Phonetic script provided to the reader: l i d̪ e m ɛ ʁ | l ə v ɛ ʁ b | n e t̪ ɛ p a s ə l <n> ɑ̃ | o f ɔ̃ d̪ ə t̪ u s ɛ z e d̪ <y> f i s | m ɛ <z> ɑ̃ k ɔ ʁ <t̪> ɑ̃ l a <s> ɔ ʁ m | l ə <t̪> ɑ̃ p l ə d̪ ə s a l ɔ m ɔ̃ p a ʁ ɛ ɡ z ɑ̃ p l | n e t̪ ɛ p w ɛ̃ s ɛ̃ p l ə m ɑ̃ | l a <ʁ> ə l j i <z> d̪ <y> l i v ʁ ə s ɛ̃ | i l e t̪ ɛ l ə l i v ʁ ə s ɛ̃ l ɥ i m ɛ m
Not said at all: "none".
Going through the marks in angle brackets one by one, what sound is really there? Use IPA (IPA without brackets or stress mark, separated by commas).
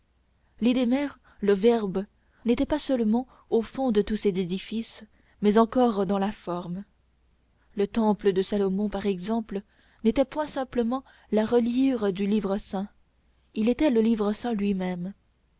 m, i, z, d̪, f, t̪, ʁ, ʁ, y